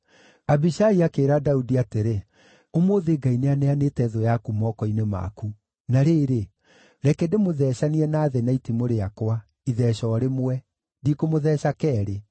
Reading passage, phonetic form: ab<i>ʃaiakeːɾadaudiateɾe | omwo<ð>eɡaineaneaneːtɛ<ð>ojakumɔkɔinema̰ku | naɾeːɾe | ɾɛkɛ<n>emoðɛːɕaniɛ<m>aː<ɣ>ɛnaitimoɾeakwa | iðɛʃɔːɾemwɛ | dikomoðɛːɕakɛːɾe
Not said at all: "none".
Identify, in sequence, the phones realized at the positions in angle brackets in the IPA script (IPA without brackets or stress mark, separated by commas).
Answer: i, ð, ð, d, n, ð